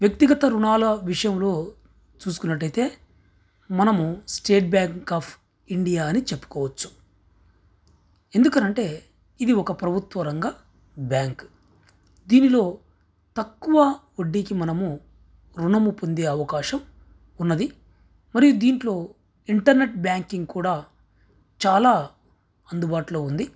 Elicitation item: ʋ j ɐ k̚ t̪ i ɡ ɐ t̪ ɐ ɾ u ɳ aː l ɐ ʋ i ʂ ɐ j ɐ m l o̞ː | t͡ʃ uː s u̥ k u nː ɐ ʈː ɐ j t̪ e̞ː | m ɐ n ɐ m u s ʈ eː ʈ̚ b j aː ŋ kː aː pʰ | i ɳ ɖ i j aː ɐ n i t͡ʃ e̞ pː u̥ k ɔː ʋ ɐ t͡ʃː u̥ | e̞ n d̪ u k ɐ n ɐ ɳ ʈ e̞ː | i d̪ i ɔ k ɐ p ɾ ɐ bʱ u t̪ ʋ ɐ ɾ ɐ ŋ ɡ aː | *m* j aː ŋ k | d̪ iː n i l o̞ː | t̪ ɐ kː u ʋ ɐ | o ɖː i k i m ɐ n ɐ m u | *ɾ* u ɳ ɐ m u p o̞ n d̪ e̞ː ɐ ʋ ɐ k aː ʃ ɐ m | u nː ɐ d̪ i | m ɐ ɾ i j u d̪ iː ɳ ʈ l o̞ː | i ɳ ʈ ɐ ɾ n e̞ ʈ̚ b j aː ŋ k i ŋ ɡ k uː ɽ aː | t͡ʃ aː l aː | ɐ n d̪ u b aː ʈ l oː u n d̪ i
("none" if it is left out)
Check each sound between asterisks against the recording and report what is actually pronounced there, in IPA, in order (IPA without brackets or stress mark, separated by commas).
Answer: b, ɾ